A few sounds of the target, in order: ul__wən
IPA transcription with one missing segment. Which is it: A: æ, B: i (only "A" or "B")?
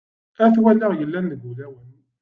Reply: A